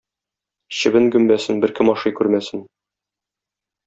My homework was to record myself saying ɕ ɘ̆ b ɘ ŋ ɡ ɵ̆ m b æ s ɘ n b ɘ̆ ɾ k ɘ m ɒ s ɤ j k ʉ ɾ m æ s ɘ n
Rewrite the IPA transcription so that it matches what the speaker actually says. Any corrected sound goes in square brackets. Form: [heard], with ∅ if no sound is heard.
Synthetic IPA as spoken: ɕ ɘ̆ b ɘ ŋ ɡ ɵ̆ m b æ s ɘ n b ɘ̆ ɾ k ɘ m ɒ [ʃ] ɤ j k ʉ ɾ m æ s ɘ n